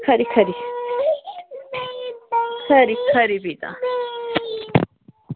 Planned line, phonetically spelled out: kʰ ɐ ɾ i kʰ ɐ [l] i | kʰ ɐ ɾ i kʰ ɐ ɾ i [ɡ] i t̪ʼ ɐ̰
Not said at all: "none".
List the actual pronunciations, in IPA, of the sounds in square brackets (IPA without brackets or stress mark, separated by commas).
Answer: ɾ, b